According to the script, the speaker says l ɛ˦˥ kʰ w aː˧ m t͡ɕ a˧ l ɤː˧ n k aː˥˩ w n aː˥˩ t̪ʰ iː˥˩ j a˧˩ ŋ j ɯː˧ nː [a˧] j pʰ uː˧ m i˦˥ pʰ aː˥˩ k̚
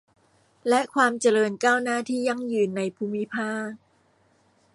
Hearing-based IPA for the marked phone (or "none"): a˧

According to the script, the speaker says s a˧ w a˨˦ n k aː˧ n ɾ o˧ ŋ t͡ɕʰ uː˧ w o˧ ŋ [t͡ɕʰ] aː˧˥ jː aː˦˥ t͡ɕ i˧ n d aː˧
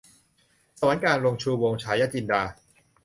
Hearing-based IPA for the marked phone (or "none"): t͡ɕʰ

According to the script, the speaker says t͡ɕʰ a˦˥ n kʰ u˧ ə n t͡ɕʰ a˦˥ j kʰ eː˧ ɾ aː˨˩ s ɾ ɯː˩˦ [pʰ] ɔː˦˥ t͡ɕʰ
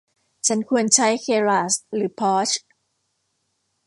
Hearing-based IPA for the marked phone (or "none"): pʰ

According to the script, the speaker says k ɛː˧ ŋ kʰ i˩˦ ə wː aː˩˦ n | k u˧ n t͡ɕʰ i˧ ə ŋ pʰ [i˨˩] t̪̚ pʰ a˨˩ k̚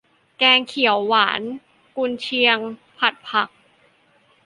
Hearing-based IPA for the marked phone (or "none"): a˨˩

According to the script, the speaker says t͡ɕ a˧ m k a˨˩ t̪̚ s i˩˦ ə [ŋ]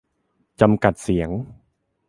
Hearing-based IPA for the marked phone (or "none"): ŋ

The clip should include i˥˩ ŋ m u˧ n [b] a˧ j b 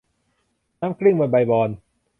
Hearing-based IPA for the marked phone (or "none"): b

